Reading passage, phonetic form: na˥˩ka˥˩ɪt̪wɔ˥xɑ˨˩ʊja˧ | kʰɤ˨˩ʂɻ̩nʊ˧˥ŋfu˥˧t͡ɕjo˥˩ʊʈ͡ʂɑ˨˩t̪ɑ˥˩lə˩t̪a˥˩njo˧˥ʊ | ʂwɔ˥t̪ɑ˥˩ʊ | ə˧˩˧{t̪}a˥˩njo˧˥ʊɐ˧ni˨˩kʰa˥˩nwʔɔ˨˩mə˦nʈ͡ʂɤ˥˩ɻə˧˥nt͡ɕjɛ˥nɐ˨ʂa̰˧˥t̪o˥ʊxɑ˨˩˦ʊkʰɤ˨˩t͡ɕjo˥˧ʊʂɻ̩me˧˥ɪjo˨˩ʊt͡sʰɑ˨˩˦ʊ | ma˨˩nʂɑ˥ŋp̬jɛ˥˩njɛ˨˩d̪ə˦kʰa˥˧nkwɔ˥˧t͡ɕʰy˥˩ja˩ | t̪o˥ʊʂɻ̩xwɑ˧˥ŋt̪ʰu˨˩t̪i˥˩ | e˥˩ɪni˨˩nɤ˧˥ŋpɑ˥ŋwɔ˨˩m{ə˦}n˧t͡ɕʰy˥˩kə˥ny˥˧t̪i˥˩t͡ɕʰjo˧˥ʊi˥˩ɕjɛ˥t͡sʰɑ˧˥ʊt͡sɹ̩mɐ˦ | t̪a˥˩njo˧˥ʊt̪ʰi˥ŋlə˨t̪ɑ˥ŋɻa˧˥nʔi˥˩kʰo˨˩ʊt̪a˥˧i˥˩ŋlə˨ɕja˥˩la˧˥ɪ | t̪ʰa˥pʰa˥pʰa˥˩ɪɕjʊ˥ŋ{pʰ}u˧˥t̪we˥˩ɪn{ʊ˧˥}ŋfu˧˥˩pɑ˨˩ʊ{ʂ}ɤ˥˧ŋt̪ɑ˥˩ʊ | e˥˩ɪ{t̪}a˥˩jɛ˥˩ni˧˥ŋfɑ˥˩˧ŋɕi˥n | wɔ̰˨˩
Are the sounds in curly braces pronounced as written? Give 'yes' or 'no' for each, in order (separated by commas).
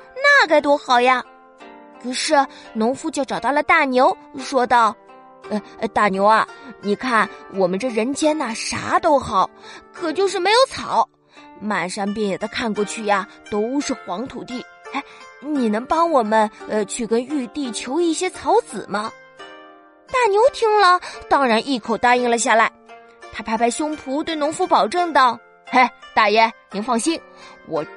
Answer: yes, yes, yes, yes, no, yes